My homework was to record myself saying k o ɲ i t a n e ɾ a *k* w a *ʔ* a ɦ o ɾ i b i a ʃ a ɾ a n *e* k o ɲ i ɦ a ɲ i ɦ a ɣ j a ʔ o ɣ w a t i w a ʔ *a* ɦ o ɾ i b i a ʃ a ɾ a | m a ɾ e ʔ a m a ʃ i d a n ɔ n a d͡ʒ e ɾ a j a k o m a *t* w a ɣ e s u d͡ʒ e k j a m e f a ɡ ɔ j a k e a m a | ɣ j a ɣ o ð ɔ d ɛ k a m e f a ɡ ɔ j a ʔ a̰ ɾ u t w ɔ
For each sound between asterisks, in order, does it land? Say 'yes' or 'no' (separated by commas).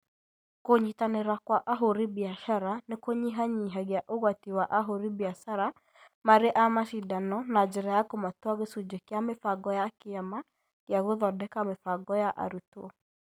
yes, yes, yes, yes, yes